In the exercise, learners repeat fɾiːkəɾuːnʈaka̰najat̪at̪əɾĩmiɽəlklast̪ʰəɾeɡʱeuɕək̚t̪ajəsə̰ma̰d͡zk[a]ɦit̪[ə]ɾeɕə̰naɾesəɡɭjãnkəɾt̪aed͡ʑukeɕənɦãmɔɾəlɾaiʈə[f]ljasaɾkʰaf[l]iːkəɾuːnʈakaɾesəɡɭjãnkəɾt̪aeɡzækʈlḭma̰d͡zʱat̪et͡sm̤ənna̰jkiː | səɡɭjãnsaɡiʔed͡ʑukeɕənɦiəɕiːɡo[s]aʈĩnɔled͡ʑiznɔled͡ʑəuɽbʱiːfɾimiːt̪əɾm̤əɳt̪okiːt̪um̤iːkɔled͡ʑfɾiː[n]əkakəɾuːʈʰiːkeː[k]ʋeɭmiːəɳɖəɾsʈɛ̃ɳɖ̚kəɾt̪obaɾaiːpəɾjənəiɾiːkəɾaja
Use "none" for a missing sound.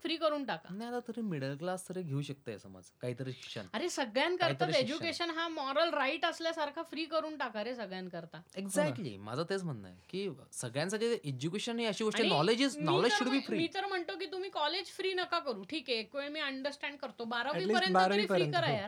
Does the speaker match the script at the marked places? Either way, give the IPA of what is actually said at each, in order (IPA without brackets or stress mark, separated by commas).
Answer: a, ə, s, ɾ, ʂ, n, k